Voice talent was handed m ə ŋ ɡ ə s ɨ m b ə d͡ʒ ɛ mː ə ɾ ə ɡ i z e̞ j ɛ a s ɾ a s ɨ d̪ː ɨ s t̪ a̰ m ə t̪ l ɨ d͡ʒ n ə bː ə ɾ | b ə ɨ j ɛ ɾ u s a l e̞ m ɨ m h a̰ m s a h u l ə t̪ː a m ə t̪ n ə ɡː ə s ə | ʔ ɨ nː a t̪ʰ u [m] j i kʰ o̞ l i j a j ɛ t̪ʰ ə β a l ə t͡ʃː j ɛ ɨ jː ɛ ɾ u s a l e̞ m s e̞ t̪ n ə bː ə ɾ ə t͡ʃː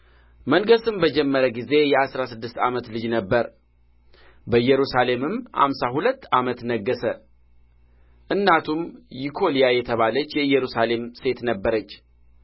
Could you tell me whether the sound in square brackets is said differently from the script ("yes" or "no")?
no